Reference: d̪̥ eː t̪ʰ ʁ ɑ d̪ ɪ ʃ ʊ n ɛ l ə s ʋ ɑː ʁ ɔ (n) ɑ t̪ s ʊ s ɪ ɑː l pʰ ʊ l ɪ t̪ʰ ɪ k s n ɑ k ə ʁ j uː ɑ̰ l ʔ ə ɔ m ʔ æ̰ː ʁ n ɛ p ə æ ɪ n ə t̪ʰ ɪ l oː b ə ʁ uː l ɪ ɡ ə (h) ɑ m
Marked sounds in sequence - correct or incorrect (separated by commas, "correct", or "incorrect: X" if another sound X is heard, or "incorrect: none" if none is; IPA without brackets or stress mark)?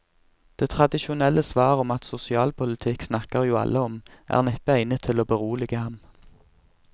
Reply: incorrect: m, correct